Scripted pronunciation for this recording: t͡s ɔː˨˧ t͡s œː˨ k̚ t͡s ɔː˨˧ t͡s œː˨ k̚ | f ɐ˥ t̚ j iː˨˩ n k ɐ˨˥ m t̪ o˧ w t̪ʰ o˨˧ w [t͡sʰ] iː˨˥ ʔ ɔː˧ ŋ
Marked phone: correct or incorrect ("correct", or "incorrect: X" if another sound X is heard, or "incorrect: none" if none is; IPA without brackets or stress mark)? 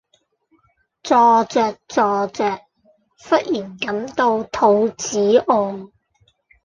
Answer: incorrect: t͡s